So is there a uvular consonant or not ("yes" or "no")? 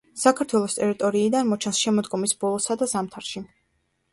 no